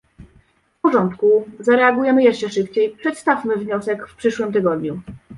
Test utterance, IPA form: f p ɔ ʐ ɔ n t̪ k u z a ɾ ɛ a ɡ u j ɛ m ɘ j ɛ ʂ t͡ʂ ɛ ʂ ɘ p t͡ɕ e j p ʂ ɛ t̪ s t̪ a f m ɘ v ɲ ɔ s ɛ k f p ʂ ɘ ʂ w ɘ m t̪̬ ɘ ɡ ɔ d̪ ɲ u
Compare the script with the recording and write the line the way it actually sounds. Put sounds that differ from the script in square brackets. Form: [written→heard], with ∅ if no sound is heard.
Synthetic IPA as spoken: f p ɔ ʐ ɔ n t̪ k u z a ɾ ɛ a ɡ u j ɛ m ɘ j ɛ ʂ t͡ʂ ɛ ʂ ɘ p t͡ɕ e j p ʂ ɛ t̪ s t̪ a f m ɘ v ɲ ɔ s ɛ k f p ʂ ɘ ʂ w ɘ m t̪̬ ɘ ɡ ɔ d̪ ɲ u